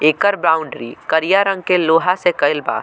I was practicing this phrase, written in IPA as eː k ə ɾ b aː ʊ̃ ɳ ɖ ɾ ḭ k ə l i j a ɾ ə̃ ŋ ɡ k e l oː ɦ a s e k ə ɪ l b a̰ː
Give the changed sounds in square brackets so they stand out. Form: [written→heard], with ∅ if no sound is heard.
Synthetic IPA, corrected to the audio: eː k ə ɾ b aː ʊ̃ ɳ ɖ ɾ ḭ k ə [l→ɾ] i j a ɾ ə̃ ŋ ɡ k e l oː ɦ a s e k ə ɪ l b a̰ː